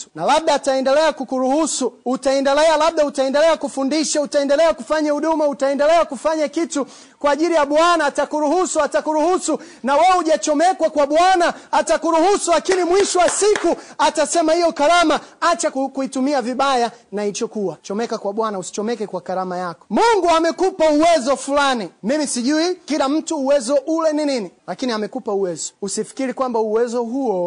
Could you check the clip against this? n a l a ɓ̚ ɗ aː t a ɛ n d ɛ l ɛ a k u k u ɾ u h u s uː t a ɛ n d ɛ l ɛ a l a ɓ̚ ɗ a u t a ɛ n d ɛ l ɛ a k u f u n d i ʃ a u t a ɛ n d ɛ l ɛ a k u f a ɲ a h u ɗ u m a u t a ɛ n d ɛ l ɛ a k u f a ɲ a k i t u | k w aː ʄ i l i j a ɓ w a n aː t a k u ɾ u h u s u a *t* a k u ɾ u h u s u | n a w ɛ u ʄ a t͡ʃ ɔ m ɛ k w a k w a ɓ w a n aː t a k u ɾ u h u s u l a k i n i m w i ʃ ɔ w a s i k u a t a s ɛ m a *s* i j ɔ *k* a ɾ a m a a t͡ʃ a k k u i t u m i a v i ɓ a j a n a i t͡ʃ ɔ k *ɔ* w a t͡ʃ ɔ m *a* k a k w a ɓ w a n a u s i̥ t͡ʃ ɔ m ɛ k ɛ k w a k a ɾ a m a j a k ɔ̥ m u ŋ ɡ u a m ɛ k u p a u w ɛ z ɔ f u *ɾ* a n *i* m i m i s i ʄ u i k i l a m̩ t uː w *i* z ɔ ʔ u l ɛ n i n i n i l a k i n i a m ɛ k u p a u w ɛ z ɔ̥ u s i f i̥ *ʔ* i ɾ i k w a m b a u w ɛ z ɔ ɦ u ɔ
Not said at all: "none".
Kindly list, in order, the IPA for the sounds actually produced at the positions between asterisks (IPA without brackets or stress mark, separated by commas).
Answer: t, h, k, u, ɛ, l, i, ɛ, k